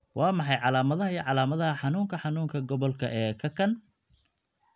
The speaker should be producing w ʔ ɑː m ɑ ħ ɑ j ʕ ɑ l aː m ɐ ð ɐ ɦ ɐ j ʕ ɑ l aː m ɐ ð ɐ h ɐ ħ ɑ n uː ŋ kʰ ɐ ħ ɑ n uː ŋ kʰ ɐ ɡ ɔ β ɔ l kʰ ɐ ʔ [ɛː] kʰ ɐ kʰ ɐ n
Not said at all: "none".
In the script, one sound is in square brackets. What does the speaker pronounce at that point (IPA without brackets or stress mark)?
ɛː